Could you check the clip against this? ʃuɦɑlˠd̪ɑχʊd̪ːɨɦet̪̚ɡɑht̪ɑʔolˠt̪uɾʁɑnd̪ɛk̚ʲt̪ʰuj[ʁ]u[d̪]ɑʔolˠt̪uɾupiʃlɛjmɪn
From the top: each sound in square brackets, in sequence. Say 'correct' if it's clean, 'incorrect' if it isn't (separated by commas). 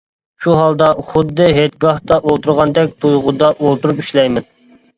correct, correct